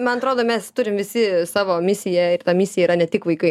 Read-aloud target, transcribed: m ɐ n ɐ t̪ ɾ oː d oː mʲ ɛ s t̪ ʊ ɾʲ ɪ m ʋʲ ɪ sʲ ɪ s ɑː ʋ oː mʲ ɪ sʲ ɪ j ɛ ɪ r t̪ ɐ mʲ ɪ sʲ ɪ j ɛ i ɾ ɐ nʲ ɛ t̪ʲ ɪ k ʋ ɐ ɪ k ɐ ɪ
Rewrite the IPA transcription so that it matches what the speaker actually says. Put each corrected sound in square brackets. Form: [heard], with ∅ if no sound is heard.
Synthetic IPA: m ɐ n ɐ t̪ ɾ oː d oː mʲ ɛ s t̪ ʊ ɾʲ ɪ m ʋʲ ɪ sʲ ɪ s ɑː ʋ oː mʲ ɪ sʲ ɪ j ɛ ɪ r t̪ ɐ mʲ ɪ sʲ ɪ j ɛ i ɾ ɐ nʲ ɛ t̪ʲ ɪ k ʋ ɐ ɪ k ɐ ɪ

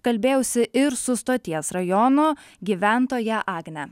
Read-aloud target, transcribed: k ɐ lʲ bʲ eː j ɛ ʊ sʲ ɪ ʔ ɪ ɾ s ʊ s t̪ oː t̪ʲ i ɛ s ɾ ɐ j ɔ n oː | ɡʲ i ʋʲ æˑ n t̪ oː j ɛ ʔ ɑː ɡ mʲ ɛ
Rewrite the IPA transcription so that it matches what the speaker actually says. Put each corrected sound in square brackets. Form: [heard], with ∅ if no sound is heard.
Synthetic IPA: k ɐ lʲ bʲ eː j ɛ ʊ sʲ ɪ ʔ ɪ ɾ s ʊ s t̪ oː t̪ʲ i ɛ s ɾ ɐ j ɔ n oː | ɡʲ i ʋʲ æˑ n t̪ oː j ɛ ʔ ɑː ɡ [nʲ] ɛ

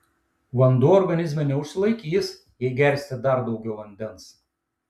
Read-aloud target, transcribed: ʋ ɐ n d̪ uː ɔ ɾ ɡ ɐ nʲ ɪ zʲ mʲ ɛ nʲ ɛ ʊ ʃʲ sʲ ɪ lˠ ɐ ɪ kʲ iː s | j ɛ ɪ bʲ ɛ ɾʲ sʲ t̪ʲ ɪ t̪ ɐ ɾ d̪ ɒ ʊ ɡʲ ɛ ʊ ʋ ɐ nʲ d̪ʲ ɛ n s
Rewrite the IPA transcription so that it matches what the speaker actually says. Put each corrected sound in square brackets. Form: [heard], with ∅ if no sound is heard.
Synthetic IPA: ʋ ɐ n d̪ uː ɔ ɾ ɡ ɐ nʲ ɪ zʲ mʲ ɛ nʲ ɛ ʊ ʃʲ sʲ ɪ lˠ ɐ ɪ kʲ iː s | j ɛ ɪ [ɡʲ] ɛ ɾʲ sʲ t̪ʲ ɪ [d̪] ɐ ɾ d̪ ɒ ʊ ɡʲ ɛ ʊ ʋ ɐ nʲ d̪ʲ ɛ n s

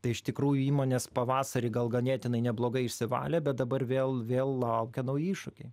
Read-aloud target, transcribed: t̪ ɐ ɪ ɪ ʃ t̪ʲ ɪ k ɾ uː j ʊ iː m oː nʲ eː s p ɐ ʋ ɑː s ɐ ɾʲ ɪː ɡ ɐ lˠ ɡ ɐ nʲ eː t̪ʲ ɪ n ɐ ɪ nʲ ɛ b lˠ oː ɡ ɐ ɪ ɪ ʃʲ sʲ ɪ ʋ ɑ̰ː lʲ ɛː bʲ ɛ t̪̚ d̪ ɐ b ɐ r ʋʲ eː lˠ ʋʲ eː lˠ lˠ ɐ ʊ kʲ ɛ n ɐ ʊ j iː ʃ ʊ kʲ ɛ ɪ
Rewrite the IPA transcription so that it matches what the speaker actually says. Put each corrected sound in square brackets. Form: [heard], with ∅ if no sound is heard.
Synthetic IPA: t̪ ɐ ɪ ɪ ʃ t̪ʲ ɪ k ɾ uː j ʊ iː m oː nʲ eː s p ɐ ʋ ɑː s ɐ ɾʲ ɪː ɡ ɐ lˠ ɡ ɐ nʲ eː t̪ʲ ɪ n ɐ ɪ nʲ ɛ b lˠ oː ɡ ɐ ɪ ɪ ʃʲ sʲ ɪ ʋ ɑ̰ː lʲ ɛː bʲ ɛ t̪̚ d̪ ɐ b ɐ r ʋʲ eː lˠ ʋʲ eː lˠ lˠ ɐ ʊ kʲ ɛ n ɐ ʊ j iː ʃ ʊ kʲ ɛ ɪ

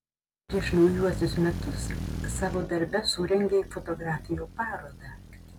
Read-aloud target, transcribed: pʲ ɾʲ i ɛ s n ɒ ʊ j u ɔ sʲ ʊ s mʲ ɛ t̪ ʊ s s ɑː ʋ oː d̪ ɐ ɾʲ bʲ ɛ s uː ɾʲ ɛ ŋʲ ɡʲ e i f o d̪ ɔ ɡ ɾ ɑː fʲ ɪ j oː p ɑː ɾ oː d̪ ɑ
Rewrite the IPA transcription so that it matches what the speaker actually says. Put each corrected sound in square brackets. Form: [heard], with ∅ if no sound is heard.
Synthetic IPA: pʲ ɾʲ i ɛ [ʃ] n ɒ ʊ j u ɔ sʲ ʊ s mʲ ɛ t̪ ʊ s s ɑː ʋ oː d̪ ɐ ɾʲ bʲ ɛ s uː ɾʲ ɛ ŋʲ ɡʲ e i f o [t̪] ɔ ɡ ɾ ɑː fʲ ɪ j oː p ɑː ɾ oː d̪ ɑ

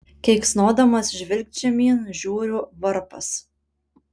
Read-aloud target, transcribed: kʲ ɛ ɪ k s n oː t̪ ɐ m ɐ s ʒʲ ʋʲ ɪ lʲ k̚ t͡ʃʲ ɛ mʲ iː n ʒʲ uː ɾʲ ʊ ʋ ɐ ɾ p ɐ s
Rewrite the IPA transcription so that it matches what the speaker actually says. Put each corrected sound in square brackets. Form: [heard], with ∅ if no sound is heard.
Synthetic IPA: kʲ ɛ ɪ k s n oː [d̪] ɐ m ɐ s ʒʲ ʋʲ ɪ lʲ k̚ t͡ʃʲ ɛ mʲ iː n ʒʲ uː ɾʲ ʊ ʋ ɐ ɾ p ɐ s

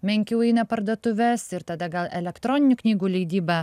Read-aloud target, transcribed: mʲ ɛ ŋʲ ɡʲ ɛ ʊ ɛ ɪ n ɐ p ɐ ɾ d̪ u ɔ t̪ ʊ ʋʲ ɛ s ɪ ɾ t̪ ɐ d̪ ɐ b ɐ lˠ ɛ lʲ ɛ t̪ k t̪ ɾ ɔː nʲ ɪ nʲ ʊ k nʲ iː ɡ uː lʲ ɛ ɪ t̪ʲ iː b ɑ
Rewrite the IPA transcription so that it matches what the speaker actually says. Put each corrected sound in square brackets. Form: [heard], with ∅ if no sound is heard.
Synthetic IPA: mʲ ɛ ŋʲ [kʲ] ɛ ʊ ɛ ɪ n ɐ p ɐ ɾ d̪ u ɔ t̪ ʊ ʋʲ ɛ s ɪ ɾ t̪ ɐ d̪ ɐ [ɡ] ɐ lˠ ɛ lʲ ɛ [∅] k t̪ ɾ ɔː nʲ ɪ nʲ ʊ k nʲ iː ɡ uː lʲ ɛ ɪ [d̪ʲ] iː b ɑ

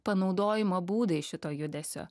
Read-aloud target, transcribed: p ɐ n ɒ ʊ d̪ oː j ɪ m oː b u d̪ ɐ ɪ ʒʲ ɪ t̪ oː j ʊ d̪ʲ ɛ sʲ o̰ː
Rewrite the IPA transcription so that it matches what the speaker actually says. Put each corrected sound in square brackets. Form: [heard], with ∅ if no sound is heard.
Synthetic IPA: p ɐ n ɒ ʊ d̪ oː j ɪ m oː b [uː] d̪ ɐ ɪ [ʃʲ] ɪ t̪ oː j ʊ d̪ʲ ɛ sʲ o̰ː

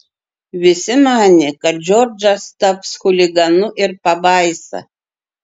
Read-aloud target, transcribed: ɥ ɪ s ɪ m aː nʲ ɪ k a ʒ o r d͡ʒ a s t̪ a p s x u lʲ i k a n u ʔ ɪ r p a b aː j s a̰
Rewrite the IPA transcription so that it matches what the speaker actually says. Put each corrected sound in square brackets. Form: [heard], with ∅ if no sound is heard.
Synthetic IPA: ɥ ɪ s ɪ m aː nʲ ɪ k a [d͡ʒ] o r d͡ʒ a s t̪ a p s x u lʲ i [ɡ] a n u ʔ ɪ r p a b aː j s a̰

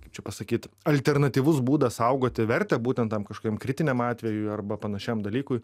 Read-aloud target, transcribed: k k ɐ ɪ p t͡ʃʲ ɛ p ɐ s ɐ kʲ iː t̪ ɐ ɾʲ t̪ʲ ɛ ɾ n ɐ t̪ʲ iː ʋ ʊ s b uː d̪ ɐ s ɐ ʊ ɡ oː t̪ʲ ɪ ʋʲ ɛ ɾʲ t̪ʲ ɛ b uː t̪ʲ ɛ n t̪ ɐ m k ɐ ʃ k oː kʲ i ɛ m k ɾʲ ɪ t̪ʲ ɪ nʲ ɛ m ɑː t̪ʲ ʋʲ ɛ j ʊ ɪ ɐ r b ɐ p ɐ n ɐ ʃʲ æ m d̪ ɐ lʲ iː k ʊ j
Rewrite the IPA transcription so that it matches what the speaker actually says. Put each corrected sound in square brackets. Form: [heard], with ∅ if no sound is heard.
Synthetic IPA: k k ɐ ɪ p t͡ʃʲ ɛ p ɐ s ɐ kʲ iː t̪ ɐ [lʲ] t̪ʲ ɛ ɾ n ɐ t̪ʲ iː ʋ ʊ s b uː d̪ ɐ s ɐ ʊ ɡ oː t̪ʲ ɪ ʋʲ ɛ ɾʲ t̪ʲ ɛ b uː t̪ʲ ɛ n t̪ ɐ m k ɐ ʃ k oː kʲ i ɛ m k ɾʲ ɪ t̪ʲ ɪ nʲ ɛ m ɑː t̪ʲ ʋʲ ɛ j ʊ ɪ ɐ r b ɐ p ɐ n ɐ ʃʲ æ m d̪ ɐ lʲ iː k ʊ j

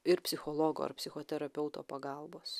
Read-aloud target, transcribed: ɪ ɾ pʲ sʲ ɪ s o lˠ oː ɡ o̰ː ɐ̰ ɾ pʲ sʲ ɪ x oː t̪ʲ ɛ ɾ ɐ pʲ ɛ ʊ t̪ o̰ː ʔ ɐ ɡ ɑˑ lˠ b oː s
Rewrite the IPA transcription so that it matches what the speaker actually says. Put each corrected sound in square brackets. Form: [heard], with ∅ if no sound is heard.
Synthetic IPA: ɪ ɾ pʲ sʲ ɪ [x] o lˠ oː ɡ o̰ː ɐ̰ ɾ pʲ sʲ ɪ x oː t̪ʲ ɛ ɾ ɐ pʲ ɛ ʊ t̪ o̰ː [p] ɐ ɡ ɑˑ lˠ b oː s

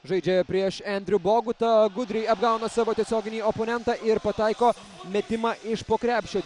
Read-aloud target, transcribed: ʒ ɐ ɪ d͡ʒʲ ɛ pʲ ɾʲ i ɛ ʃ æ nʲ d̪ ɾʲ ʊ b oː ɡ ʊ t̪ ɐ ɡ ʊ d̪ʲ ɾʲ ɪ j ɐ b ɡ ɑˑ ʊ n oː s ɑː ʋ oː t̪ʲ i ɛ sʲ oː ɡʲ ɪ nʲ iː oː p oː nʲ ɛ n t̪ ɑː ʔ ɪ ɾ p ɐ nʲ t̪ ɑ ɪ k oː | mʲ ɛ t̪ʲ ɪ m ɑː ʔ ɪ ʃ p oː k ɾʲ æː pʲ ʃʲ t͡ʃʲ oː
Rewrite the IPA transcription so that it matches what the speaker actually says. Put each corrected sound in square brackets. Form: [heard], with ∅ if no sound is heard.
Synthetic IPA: ʒ ɐ ɪ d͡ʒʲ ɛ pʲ ɾʲ i ɛ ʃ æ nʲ d̪ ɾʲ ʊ b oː ɡ ʊ t̪ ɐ ɡ ʊ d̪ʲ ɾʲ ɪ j ɐ b ɡ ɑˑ ʊ n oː s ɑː ʋ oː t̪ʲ i ɛ sʲ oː ɡʲ ɪ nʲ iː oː p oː nʲ ɛ n t̪ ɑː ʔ ɪ ɾ p ɐ [∅] t̪ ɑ ɪ k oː | mʲ ɛ t̪ʲ ɪ m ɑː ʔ ɪ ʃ p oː k ɾʲ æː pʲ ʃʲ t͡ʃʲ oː

